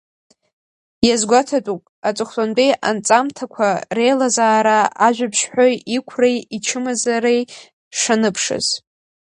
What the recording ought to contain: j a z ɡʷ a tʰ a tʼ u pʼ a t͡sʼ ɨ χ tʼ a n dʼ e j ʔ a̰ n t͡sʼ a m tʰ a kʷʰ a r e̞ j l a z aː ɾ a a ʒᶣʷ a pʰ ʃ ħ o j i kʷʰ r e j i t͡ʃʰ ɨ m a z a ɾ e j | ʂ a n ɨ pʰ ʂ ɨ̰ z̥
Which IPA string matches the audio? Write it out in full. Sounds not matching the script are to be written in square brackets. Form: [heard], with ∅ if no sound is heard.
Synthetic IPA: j a z ɡʷ a tʰ a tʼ u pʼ a t͡sʼ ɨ χ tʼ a n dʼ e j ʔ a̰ n t͡sʼ a m tʰ a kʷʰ a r e̞ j l a z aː ɾ a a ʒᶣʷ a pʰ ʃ ħ o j i kʷʰ r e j i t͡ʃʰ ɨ m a z a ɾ e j | ʂ a n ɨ pʰ ʂ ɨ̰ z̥